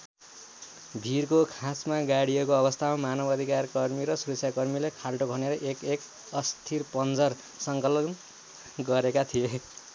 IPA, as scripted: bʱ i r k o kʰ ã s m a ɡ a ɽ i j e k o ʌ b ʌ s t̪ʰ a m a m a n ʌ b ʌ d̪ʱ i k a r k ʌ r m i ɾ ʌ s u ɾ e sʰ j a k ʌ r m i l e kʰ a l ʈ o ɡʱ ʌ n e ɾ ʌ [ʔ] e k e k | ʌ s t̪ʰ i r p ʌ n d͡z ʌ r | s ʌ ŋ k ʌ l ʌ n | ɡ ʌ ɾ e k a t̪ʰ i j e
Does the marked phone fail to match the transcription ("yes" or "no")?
no